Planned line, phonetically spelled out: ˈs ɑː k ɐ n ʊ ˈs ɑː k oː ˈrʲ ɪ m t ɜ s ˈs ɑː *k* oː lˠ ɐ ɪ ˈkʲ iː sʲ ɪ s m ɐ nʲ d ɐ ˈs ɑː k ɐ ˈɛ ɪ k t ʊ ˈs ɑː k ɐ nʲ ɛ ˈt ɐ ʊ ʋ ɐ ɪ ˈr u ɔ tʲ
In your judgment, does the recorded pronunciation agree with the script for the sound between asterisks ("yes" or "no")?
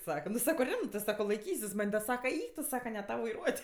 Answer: yes